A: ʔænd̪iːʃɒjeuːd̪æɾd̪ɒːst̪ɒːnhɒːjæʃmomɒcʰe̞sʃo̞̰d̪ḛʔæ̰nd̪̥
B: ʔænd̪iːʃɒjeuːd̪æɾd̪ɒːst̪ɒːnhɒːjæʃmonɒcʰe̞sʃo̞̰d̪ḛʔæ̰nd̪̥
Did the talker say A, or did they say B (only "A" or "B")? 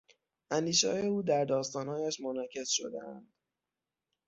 B